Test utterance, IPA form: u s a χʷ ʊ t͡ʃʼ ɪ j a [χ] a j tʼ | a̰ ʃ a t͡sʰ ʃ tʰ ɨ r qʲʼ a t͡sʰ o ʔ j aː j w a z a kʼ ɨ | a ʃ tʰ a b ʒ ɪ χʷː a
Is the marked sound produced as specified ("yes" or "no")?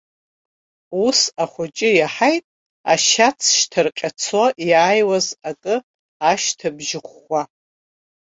no